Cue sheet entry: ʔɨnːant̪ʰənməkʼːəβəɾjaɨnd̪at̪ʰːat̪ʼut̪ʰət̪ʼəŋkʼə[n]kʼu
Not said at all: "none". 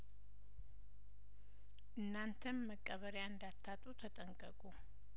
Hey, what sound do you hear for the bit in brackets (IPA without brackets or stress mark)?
none